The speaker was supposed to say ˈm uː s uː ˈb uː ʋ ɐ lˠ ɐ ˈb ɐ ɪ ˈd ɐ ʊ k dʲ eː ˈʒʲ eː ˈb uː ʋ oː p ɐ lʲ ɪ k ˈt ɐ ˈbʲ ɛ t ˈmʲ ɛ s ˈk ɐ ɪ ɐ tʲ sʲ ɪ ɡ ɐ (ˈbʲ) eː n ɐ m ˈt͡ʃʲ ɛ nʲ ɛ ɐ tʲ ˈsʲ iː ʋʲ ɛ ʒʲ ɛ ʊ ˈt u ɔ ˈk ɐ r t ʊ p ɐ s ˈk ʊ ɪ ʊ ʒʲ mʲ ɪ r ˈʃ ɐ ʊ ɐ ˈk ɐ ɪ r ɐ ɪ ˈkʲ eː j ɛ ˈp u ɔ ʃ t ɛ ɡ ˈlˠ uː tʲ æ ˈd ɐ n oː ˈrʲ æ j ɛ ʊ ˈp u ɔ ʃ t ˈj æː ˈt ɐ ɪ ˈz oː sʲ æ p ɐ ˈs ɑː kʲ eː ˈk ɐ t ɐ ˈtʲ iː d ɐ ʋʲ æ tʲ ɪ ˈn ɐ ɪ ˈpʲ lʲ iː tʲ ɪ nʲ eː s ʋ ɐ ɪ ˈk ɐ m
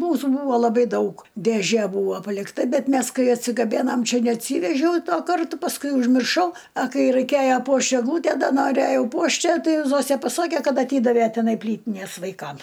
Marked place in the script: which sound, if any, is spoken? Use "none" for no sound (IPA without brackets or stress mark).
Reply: bʲ